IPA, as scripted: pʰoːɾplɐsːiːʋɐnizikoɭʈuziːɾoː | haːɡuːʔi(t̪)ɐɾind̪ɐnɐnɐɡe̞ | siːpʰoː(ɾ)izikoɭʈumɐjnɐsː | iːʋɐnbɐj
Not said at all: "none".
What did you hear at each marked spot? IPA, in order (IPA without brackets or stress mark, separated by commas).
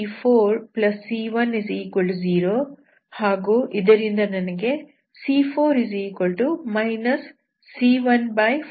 d̪, ɾ